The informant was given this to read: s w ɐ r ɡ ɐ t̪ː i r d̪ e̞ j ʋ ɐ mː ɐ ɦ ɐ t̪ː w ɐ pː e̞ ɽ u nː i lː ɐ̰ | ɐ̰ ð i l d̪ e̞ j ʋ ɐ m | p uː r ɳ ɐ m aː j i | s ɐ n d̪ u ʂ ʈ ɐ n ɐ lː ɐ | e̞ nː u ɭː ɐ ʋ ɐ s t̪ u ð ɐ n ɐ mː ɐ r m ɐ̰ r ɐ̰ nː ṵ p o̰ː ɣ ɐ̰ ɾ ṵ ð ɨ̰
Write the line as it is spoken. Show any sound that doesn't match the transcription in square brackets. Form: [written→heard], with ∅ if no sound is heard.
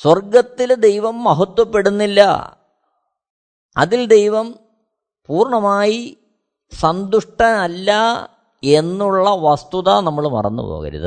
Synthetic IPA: s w ɐ r ɡ ɐ t̪ː i [r→l] d̪ e̞ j ʋ ɐ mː ɐ ɦ ɐ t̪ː w ɐ pː e̞ ɽ u nː i lː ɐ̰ | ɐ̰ ð i l d̪ e̞ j ʋ ɐ m | p uː r ɳ ɐ m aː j i | s ɐ n d̪ u ʂ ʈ ɐ n ɐ lː ɐ | e̞ nː u ɭː ɐ ʋ ɐ s t̪ u ð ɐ n ɐ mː ɐ [r→ɭ] m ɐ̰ r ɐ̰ nː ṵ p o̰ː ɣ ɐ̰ ɾ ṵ ð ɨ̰